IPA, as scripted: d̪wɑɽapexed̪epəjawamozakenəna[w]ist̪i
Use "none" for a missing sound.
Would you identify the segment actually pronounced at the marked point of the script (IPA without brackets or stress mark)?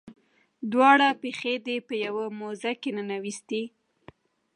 w